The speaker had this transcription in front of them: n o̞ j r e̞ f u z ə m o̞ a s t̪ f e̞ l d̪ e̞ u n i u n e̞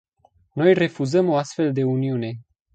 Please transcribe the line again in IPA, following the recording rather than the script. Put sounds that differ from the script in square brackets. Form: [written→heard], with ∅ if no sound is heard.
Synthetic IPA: n o̞ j r e̞ f u z ə m o̞ a s t̪ f e̞ l d̪ e̞ u n i u n e̞